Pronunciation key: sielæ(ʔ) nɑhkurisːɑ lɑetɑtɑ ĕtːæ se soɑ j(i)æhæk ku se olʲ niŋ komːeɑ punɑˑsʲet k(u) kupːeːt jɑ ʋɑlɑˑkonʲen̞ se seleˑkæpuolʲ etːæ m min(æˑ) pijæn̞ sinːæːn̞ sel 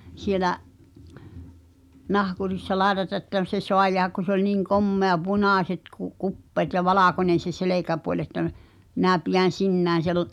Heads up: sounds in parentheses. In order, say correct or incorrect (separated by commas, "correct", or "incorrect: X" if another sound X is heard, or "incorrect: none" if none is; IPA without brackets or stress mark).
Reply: correct, incorrect: e, correct, correct